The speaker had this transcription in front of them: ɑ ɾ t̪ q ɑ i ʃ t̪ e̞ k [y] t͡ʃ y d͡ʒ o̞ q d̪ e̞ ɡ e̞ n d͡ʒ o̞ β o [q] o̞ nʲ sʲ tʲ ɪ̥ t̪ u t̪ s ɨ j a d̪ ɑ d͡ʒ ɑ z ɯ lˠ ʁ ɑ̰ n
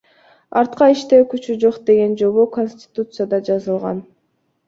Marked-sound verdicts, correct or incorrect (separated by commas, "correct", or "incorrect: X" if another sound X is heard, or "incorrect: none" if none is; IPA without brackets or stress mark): correct, incorrect: k